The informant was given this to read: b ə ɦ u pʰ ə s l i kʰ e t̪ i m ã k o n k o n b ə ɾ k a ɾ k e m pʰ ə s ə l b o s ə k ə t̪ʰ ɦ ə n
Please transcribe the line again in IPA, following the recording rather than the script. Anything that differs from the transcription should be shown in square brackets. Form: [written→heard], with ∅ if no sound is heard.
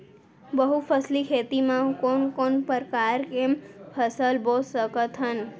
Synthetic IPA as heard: b ə ɦ u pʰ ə s l i kʰ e t̪ i m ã k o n k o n [b→p] ə ɾ k a ɾ k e m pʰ ə s ə l b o s ə k ə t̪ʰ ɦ ə n